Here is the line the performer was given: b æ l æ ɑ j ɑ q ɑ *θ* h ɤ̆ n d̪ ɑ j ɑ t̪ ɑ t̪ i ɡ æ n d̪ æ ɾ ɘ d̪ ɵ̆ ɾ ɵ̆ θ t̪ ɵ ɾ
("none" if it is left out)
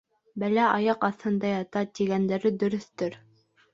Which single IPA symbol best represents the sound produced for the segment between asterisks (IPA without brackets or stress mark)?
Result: θ